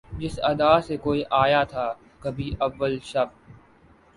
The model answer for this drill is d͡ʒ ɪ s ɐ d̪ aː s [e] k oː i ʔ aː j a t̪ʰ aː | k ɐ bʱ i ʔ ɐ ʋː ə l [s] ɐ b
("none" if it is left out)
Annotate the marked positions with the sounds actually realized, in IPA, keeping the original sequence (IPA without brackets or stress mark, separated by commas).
e, ʃ